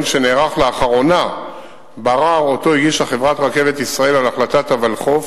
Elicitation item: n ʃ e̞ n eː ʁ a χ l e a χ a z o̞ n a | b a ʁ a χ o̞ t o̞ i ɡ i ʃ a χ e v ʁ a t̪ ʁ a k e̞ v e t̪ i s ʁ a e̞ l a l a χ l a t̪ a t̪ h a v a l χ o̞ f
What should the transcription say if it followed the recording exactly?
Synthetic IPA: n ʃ e̞ n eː ʁ a χ l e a χ a ʁ o̞ n a | b a ʁ a ʁ o̞ t o̞ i ɡ i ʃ a χ e v ʁ a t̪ ʁ a k e̞ v e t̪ i s ʁ a e̞ l a l a χ l a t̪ a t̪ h a v a l χ o̞ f